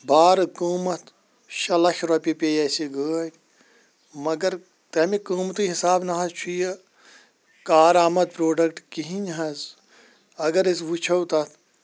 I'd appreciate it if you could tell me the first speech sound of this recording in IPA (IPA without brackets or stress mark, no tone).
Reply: b